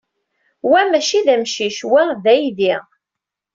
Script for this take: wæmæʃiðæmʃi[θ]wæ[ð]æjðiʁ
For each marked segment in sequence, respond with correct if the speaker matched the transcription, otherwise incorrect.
incorrect: ʃ, correct

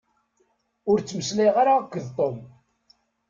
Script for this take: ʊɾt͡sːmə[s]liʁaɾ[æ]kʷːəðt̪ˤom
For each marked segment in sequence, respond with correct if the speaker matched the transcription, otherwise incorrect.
correct, incorrect: a

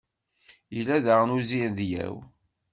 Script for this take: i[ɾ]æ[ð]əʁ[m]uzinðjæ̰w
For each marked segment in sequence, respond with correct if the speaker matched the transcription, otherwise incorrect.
incorrect: l, correct, incorrect: n

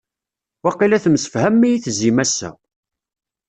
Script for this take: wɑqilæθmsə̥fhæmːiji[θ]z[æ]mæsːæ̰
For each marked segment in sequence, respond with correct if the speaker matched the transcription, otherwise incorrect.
correct, incorrect: i

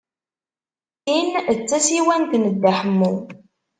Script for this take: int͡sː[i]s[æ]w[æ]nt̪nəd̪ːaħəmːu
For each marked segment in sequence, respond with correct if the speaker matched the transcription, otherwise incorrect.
incorrect: æ, incorrect: i, correct

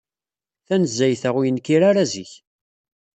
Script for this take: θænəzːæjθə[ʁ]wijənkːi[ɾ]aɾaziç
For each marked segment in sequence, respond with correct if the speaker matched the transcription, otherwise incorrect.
correct, correct

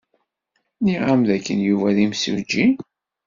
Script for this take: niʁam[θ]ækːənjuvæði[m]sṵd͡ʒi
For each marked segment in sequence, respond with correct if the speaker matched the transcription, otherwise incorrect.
incorrect: ð, correct

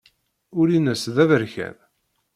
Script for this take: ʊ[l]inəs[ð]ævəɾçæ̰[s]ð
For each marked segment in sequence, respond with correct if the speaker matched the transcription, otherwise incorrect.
incorrect: ɾ, correct, incorrect: none

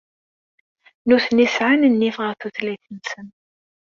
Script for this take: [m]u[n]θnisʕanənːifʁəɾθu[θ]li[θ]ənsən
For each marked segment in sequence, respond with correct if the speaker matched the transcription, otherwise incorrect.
incorrect: n, incorrect: none, correct, correct

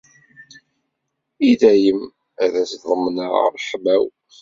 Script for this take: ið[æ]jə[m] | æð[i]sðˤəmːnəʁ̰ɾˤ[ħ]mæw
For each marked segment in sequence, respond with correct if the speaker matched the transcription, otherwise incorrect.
correct, correct, incorrect: æ, correct

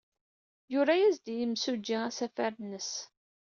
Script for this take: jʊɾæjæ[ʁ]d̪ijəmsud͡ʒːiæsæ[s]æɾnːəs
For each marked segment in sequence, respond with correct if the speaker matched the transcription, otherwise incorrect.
incorrect: z, incorrect: f

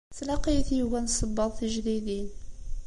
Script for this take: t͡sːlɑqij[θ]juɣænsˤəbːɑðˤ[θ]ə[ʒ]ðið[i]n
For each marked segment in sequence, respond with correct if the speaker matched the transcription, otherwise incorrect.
correct, correct, correct, correct

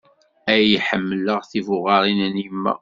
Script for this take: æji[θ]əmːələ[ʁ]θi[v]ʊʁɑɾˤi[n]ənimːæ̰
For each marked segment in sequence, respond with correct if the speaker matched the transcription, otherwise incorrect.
incorrect: ħ, correct, correct, correct

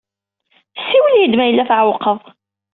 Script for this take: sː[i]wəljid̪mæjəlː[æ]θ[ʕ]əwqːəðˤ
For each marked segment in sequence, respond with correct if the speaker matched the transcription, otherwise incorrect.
correct, correct, correct

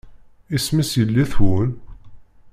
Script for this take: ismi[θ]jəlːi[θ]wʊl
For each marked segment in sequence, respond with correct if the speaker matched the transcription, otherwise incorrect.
incorrect: s, correct

